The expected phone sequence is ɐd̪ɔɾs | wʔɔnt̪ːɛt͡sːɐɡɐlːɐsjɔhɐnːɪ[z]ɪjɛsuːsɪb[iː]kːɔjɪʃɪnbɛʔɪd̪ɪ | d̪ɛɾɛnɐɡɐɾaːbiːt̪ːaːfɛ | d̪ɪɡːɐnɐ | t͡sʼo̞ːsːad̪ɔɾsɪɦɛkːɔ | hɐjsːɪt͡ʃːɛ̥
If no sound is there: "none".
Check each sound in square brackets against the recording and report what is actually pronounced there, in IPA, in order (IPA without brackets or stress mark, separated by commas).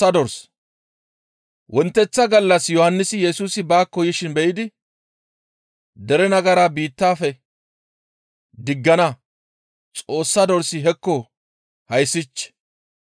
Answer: s, aː